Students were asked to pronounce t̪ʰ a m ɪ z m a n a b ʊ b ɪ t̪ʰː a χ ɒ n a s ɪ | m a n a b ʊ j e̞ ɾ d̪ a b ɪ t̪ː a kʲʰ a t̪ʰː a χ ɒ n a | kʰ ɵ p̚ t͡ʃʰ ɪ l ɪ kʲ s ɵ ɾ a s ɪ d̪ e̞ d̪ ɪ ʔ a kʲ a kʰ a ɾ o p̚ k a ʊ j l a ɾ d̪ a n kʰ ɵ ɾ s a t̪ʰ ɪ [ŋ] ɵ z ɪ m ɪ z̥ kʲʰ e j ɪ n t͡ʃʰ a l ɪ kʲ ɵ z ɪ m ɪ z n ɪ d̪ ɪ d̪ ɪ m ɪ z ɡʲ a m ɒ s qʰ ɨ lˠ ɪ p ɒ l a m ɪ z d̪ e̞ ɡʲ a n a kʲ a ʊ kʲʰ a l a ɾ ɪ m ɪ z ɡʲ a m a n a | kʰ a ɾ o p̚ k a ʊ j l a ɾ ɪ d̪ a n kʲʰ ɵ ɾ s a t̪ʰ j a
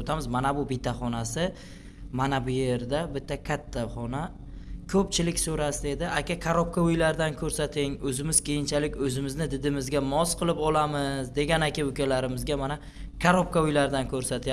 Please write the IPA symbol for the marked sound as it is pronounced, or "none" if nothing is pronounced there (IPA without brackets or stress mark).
ŋ